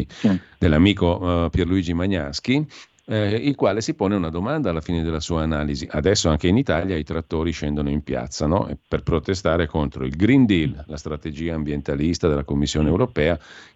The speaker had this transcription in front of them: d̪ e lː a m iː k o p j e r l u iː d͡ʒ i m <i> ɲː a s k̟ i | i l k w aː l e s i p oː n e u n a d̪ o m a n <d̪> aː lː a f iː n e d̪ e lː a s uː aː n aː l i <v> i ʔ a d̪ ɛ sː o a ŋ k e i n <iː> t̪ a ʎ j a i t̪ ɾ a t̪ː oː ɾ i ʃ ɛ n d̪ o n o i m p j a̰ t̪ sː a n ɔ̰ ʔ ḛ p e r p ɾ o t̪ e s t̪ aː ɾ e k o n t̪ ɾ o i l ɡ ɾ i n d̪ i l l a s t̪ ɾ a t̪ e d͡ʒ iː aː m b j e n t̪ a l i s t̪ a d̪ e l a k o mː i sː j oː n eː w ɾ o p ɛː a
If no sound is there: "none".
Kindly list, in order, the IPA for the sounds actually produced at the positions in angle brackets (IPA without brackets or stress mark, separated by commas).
a, d̪, z, i